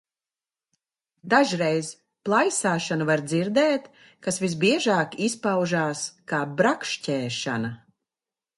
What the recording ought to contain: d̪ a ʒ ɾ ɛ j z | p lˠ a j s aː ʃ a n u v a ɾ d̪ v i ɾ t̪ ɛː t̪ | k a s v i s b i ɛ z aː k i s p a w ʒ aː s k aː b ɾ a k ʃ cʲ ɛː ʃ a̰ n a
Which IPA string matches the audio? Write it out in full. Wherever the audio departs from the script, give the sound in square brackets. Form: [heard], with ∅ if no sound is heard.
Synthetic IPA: d̪ a ʒ ɾ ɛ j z | p lˠ a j s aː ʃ a n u v a ɾ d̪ [z] i ɾ [d̪] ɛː t̪ | k a s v i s b i ɛ [ʒ] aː k i s p a w ʒ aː s k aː b ɾ a k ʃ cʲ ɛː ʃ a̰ n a